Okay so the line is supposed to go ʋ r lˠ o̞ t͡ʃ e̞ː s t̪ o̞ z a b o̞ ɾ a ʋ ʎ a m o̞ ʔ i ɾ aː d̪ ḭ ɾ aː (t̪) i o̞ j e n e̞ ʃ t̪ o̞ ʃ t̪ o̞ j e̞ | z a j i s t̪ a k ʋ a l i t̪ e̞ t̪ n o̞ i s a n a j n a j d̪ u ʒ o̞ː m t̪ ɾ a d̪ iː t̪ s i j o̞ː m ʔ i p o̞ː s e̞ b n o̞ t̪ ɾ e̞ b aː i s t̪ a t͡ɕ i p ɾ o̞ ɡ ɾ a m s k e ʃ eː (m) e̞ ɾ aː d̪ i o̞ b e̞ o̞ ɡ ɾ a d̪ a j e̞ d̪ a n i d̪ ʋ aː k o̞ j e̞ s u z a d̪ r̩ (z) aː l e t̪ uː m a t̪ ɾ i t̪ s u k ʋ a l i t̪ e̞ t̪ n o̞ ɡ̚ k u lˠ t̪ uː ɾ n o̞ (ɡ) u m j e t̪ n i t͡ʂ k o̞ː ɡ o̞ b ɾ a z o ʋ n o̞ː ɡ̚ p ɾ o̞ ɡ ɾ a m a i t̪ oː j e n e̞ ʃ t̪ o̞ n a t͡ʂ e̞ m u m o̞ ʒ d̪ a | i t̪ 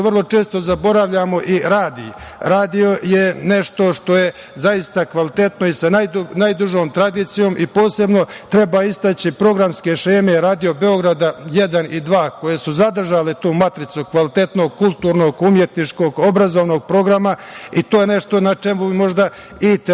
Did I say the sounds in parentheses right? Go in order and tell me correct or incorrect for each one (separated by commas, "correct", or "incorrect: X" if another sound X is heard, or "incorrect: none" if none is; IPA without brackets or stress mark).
incorrect: d̪, correct, incorrect: ʒ, correct